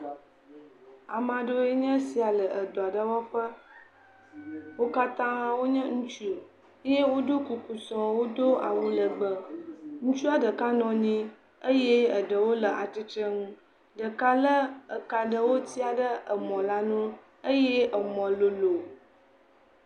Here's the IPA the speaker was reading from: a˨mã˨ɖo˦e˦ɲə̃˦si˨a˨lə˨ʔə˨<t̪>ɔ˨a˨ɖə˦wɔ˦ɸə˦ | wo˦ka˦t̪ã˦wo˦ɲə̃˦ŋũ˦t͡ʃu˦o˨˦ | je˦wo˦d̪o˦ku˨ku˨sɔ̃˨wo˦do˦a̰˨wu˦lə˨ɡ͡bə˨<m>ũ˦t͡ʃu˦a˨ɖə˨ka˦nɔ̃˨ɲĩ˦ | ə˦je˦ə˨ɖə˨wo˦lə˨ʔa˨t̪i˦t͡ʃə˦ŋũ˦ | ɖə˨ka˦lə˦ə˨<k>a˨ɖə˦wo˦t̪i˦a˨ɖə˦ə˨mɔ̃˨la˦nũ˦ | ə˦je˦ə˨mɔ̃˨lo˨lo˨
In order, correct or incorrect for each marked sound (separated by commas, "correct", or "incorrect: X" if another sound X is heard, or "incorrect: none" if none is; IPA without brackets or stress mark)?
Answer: incorrect: d̪, incorrect: ŋ, correct